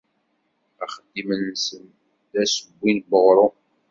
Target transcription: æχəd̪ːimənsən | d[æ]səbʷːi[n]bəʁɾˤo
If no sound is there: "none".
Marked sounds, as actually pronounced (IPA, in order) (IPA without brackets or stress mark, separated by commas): æ, n